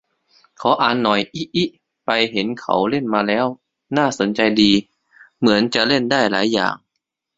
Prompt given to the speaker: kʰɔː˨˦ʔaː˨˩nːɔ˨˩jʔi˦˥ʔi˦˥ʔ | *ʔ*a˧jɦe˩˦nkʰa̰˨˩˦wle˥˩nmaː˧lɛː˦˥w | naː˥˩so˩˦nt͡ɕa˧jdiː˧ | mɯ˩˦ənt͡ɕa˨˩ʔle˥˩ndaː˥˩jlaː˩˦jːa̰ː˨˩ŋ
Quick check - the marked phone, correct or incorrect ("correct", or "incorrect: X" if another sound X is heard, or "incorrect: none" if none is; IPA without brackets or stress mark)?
incorrect: p